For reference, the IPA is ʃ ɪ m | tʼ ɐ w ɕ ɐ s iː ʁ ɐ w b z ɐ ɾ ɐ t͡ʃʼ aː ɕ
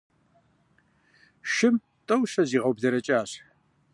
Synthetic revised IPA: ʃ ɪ m | tʼ ɐ w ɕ ɐ z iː ʁ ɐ w b z ɐ ɾ ɐ t͡ʃʼ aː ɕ